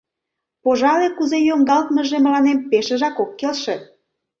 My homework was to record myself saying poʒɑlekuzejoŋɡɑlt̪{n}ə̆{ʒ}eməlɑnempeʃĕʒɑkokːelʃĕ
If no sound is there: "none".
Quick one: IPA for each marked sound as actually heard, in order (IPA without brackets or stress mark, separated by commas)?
m, ʒ